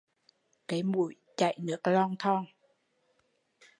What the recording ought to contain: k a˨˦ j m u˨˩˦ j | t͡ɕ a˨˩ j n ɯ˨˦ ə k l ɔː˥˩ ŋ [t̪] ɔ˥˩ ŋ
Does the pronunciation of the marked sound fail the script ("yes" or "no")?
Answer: yes